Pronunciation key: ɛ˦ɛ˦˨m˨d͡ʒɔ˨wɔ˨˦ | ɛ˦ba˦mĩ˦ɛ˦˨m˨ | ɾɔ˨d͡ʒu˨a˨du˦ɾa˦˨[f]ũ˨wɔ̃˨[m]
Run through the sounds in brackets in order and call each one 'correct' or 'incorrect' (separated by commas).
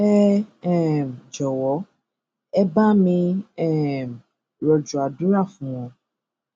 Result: correct, incorrect